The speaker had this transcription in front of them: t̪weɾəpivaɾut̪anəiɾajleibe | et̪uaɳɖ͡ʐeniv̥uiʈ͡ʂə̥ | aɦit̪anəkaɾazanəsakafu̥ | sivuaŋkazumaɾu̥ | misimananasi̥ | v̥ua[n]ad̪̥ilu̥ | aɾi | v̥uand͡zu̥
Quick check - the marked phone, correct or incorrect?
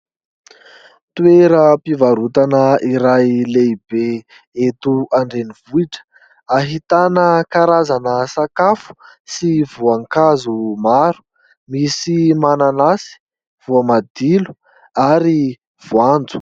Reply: incorrect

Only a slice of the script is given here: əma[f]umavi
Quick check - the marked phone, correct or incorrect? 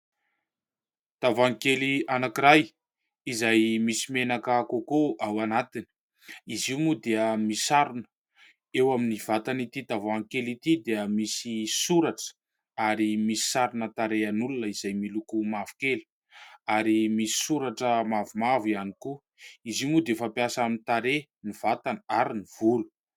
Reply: incorrect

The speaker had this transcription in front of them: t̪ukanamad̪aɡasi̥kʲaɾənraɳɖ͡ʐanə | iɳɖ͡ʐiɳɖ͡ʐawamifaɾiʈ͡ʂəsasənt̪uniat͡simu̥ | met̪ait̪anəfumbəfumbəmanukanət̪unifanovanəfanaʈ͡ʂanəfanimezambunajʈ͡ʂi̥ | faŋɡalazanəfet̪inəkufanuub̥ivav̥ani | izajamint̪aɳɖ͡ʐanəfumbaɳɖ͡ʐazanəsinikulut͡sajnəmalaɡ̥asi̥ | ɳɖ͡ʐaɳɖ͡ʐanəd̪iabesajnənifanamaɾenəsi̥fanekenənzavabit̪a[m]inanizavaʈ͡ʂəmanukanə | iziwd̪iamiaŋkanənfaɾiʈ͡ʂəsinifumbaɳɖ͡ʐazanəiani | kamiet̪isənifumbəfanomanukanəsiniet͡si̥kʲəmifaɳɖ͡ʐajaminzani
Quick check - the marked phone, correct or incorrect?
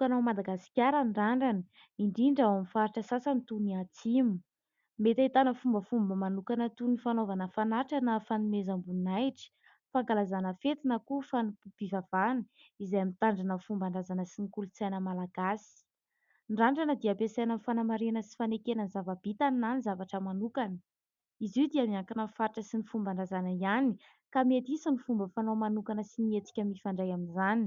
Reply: incorrect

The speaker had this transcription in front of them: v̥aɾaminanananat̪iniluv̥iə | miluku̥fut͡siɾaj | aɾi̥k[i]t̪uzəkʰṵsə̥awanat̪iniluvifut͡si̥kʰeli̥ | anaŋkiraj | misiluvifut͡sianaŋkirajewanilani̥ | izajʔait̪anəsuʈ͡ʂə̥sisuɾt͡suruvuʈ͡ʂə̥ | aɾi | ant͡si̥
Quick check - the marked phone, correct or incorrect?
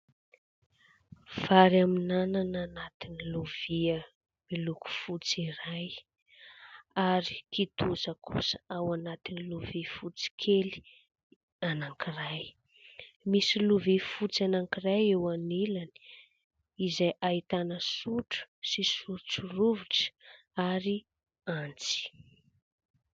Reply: correct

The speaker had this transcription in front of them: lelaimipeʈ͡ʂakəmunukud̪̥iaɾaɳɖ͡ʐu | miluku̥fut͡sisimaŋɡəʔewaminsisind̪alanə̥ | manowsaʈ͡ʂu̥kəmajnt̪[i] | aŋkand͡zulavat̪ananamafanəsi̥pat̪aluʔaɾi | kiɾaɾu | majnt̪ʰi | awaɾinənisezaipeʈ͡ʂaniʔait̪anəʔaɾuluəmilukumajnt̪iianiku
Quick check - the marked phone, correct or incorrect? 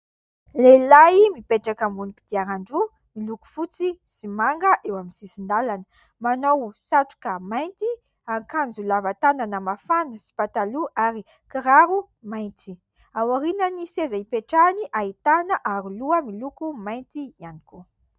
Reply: correct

